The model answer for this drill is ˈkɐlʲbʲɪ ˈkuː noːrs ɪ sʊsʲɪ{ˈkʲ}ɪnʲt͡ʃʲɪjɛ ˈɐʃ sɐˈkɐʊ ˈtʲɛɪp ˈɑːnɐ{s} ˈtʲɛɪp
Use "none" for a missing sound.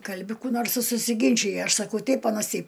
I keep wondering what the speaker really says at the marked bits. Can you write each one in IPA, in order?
ɡʲ, s

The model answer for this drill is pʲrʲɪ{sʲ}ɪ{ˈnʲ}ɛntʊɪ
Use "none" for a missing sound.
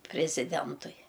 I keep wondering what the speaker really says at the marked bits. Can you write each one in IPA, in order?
zʲ, dʲ

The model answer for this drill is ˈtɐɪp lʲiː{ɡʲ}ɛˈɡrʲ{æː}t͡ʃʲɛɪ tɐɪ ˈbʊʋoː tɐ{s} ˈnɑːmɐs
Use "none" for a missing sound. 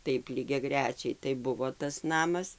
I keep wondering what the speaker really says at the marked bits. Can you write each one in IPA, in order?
ɡʲ, æː, s

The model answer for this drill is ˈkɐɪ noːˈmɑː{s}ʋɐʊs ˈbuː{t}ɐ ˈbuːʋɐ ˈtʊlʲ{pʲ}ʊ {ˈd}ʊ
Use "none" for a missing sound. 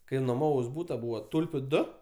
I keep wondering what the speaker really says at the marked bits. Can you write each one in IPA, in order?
none, t, pʲ, d

